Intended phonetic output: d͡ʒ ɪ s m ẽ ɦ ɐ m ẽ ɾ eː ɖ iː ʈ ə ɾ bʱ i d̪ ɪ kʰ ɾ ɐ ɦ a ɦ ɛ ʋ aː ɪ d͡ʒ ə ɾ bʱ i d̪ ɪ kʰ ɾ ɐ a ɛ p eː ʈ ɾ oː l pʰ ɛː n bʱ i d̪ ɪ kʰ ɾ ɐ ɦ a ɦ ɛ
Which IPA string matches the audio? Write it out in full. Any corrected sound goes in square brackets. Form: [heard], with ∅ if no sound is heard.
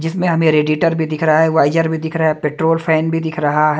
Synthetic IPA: d͡ʒ ɪ s m ẽ ɦ ɐ m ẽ ɾ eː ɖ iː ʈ ə ɾ bʱ i d̪ ɪ kʰ ɾ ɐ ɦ a ɦ ɛ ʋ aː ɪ d͡ʒ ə ɾ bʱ i d̪ ɪ kʰ ɾ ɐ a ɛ p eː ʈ ɾ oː l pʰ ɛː n bʱ i d̪ ɪ kʰ ɾ ɐ ɦ a ɦ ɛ